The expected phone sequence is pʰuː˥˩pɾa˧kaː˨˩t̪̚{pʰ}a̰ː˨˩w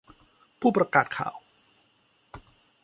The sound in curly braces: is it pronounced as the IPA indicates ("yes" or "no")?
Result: no